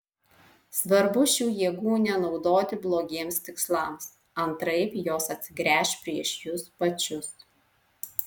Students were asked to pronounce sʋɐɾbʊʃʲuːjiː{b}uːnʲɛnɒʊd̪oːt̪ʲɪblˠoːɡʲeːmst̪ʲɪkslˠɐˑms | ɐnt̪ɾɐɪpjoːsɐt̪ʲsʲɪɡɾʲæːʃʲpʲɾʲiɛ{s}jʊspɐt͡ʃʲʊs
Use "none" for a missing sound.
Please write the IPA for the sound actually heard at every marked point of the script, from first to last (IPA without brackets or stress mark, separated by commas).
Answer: ɡ, ʃ